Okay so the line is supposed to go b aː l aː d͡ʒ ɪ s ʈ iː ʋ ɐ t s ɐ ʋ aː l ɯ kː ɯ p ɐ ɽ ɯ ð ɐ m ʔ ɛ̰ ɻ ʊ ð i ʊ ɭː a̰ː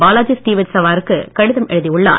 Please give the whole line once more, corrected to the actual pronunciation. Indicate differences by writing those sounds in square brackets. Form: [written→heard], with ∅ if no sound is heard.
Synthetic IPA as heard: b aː l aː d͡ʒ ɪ s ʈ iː ʋ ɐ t s ɐ ʋ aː [l→ɾ] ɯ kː ɯ [p→k] ɐ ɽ ɯ ð ɐ m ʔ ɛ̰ ɻ [ʊ→ɯ] ð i ʊ ɭː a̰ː